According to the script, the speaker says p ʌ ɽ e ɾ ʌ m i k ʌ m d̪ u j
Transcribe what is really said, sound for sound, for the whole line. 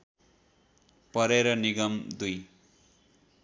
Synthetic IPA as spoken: p ʌ ɾ e ɾ ʌ n i ɡ ʌ m d̪ u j